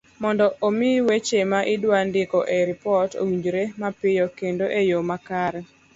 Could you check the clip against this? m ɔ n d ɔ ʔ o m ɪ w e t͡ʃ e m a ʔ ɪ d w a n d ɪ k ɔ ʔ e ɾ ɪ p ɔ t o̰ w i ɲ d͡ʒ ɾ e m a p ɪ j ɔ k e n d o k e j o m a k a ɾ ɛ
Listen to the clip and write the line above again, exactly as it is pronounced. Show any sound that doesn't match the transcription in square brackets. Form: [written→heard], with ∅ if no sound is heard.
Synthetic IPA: m ɔ n d ɔ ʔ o m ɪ w e t͡ʃ e m a ʔ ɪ d w a n d ɪ k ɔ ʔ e ɾ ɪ p ɔ t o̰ w i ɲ d͡ʒ ɾ e m a p ɪ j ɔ k e n d o [k→ʔ] e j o m a k a ɾ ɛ